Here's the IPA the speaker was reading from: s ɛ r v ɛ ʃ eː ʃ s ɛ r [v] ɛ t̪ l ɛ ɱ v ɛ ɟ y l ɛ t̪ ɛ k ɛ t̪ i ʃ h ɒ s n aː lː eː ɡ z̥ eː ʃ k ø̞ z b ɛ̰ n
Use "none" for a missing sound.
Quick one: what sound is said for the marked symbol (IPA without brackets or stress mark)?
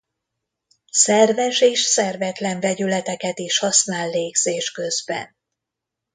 v